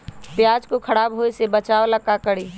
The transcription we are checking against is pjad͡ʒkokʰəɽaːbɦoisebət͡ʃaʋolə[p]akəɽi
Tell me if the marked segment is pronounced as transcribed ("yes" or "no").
no